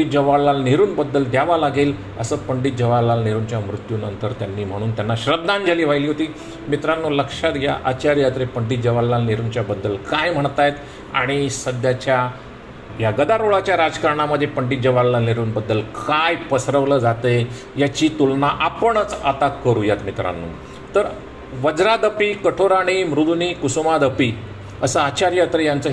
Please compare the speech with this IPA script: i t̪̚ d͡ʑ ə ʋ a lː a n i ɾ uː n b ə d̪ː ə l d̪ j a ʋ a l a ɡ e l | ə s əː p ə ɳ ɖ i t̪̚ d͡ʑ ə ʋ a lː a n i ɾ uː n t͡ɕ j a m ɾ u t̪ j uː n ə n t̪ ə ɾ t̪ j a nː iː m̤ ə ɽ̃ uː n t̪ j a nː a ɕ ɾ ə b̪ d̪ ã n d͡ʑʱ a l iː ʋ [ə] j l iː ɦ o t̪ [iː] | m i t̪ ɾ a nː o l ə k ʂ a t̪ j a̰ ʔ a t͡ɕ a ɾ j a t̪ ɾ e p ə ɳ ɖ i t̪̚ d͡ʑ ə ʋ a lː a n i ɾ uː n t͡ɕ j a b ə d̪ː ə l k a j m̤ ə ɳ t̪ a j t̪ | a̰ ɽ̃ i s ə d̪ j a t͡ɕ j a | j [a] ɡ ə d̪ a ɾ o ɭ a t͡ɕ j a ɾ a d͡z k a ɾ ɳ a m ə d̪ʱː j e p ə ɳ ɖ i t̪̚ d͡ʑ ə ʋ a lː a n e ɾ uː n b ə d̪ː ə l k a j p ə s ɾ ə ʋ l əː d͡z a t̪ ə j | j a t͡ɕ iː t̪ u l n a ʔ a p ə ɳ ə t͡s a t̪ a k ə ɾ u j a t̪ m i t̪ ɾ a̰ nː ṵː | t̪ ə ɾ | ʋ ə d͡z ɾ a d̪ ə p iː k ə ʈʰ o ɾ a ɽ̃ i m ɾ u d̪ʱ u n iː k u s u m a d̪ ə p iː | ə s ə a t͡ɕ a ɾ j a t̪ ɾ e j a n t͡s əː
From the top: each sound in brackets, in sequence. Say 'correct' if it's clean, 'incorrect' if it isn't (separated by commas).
incorrect, correct, correct